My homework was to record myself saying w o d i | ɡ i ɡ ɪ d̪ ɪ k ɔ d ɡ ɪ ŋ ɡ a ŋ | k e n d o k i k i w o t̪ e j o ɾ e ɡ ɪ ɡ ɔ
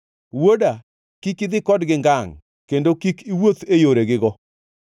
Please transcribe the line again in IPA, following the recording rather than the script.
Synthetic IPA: w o d a | k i k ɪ d̪ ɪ k ɔ d ɡ ɪ ŋ ɡ a ŋ | k e n d o k i k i w o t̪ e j o ɾ e ɡ ɪ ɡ ɔ